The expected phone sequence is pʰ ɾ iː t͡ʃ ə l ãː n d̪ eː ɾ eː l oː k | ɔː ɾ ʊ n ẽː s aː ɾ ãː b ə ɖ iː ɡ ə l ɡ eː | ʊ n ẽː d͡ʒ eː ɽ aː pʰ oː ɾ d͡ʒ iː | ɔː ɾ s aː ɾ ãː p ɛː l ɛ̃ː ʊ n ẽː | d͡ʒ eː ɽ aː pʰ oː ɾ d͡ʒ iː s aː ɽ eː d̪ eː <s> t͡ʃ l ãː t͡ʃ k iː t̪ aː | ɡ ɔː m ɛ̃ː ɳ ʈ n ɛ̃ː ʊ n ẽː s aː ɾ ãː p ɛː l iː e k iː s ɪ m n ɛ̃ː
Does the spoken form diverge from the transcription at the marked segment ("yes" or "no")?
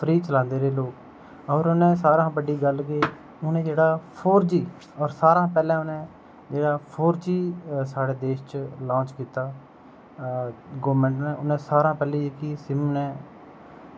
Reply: yes